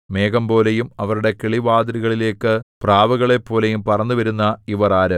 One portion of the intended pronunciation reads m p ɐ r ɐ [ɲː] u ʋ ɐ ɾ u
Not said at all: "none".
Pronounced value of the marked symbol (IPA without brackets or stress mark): nː